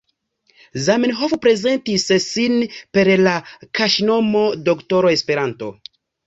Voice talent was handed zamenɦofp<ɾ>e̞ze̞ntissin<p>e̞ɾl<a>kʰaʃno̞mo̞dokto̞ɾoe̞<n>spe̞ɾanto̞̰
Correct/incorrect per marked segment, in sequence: correct, correct, correct, incorrect

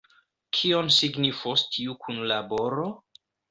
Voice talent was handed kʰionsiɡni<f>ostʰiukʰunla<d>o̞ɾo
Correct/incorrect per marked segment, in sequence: correct, incorrect

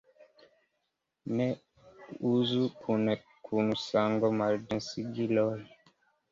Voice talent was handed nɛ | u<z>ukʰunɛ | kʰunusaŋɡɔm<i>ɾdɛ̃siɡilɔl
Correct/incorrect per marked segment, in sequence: correct, incorrect

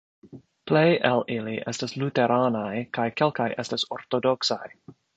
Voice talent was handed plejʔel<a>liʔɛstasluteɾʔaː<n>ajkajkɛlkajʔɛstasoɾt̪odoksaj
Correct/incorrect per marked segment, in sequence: incorrect, correct

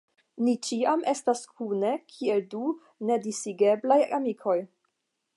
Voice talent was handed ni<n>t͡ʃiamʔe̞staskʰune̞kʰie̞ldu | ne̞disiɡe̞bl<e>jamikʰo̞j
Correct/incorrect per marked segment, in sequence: incorrect, incorrect

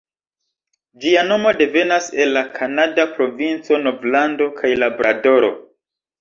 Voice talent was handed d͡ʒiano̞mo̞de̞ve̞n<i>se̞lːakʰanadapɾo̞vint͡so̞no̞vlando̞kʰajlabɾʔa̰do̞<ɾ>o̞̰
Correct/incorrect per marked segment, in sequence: incorrect, correct

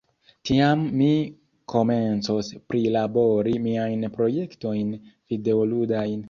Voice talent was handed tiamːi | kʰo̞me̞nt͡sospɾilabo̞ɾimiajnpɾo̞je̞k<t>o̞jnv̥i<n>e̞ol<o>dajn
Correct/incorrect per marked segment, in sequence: correct, incorrect, incorrect

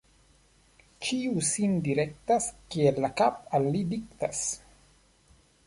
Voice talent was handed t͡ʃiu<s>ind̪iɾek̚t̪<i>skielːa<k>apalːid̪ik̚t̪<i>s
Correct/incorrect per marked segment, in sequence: correct, incorrect, correct, incorrect

